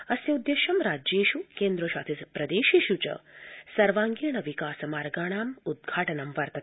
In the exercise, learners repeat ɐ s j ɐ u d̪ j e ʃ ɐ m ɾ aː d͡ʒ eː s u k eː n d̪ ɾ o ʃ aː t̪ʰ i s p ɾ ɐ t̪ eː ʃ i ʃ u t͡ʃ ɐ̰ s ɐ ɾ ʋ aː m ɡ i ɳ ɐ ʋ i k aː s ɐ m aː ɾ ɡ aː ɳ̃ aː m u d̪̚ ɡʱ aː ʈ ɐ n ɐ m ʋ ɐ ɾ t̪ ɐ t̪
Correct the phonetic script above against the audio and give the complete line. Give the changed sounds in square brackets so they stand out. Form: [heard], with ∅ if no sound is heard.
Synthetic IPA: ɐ s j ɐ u d̪ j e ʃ ɐ m ɾ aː d͡ʒ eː [ʃ] u k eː n d̪ ɾ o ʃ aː t̪ʰ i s p ɾ ɐ [d̪] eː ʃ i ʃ u t͡ʃ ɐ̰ s ɐ ɾ ʋ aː [ŋ] ɡ i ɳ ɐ ʋ i k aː s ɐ m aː ɾ ɡ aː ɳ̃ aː m u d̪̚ ɡʱ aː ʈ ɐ n ɐ m ʋ ɐ ɾ t̪ ɐ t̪

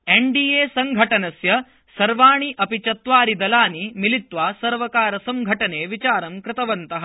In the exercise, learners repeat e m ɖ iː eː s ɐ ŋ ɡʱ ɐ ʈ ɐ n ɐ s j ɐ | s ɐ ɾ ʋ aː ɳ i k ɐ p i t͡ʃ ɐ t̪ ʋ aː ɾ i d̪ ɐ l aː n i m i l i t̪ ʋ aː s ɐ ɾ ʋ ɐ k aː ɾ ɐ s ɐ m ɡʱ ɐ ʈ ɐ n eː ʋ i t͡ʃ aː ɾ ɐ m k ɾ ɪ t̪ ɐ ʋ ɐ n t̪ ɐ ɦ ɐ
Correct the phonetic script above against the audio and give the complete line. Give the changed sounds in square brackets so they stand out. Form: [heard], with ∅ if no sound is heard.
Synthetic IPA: e [ɳ] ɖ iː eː s ɐ ŋ ɡʱ ɐ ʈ ɐ n ɐ s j ɐ | s ɐ ɾ ʋ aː ɳ i [ʔ] ɐ p i t͡ʃ ɐ t̪ ʋ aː ɾ i d̪ ɐ l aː n i m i l i t̪ ʋ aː s ɐ ɾ ʋ ɐ k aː ɾ ɐ s ɐ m ɡʱ ɐ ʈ ɐ n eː ʋ i t͡ʃ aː ɾ ɐ m k ɾ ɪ t̪ ɐ ʋ ɐ n t̪ ɐ ɦ ɐ

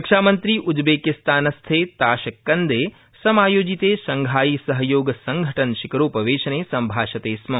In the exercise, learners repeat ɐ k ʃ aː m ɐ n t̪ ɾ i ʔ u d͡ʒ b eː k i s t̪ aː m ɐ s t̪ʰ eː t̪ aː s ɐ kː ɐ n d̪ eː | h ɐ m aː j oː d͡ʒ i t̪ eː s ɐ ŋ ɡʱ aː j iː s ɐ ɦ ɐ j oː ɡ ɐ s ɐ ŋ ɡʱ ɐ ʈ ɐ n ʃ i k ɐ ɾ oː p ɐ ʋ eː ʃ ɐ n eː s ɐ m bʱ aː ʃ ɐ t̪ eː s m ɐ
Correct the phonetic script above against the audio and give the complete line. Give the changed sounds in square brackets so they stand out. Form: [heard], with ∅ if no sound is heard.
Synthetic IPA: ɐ k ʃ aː m ɐ n t̪ ɾ i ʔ u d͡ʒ b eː k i s t̪ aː [n] ɐ s t̪ʰ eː t̪ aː [ʃ] ɐ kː ɐ n d̪ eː | [s] ɐ m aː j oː d͡ʒ i t̪ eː s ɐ ŋ ɡʱ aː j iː s ɐ ɦ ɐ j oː ɡ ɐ s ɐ ŋ ɡʱ ɐ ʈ ɐ n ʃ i k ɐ ɾ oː p ɐ ʋ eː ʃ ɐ n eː s ɐ m bʱ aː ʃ ɐ t̪ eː s m ɐ

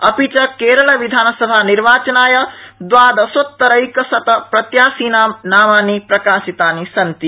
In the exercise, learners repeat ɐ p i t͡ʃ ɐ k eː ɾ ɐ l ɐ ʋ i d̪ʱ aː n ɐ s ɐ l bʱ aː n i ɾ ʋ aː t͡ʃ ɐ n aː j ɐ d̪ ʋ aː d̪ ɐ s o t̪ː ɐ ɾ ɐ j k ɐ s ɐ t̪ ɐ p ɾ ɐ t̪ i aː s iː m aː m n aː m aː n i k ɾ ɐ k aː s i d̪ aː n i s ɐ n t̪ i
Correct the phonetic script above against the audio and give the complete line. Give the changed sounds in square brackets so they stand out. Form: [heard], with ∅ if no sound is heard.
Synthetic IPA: ɐ p i t͡ʃ ɐ k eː ɾ ɐ l ɐ ʋ i d̪ʱ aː n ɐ s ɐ [∅] bʱ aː n i ɾ ʋ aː t͡ʃ ɐ n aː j ɐ d̪ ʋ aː d̪ ɐ s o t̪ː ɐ ɾ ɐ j k ɐ s ɐ t̪ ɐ p ɾ ɐ t̪ [j] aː s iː [n] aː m n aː m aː n i [p] ɾ ɐ k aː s i [t̪] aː n i s ɐ n t̪ i

